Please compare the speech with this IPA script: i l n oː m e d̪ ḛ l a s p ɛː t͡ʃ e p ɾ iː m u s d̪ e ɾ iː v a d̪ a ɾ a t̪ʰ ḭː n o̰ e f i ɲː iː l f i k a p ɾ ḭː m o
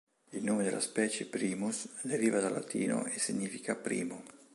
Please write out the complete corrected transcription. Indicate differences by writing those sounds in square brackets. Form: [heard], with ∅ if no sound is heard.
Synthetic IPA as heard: i l n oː m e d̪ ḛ l a s p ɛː t͡ʃ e p ɾ iː m u s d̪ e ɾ iː v a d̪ a [l] a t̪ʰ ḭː n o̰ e [s] i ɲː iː [∅] f i k a p ɾ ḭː m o